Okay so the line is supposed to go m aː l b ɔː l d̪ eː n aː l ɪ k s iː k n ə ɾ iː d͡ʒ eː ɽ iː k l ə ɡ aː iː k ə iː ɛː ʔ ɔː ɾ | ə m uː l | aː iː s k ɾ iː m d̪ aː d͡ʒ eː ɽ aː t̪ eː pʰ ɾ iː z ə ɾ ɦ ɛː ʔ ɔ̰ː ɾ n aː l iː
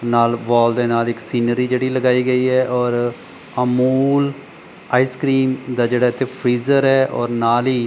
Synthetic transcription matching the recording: n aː l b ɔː l d̪ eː n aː l ɪ k s iː n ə ɾ iː d͡ʒ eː ɽ iː l ə ɡ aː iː ɡ ə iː ɛː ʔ ɔː ɾ | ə m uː l | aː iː s k ɾ iː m d̪ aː d͡ʒ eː ɽ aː t̪ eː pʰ ɾ iː z ə ɾ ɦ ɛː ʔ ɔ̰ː ɾ n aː l iː